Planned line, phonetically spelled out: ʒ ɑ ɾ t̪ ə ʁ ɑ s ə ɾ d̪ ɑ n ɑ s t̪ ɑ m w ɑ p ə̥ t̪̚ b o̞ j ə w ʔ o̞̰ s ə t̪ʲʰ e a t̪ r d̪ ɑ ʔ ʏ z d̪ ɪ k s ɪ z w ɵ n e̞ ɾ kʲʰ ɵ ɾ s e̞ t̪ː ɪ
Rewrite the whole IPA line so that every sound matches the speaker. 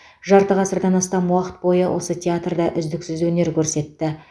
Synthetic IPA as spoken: ʒ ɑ ɾ t̪ ə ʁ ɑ s ə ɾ d̪ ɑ n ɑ s t̪ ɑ m w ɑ q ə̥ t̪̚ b o̞ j ə w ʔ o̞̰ s ə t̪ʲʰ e a t̪ r d̪ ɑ ʔ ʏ z d̪ ɪ k s ɪ z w ɵ n e̞ ɾ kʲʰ ɵ ɾ s e̞ t̪ː ɪ